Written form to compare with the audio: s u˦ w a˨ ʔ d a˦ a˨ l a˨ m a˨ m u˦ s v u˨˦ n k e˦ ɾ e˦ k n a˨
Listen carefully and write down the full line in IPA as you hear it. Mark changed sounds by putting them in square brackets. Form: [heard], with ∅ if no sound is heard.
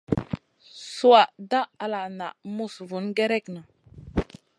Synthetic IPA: s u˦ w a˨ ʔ d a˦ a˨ l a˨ [n] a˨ m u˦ s v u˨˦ n [ɡ] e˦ ɾ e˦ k n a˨